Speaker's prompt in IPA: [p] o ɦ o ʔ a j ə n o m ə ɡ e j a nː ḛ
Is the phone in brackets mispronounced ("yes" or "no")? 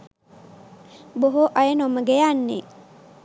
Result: yes